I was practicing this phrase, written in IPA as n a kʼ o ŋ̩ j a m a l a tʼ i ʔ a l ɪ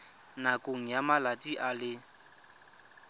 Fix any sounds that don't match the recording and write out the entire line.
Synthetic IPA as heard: n a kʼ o ŋ̩ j a m a l a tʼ i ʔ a l ɪ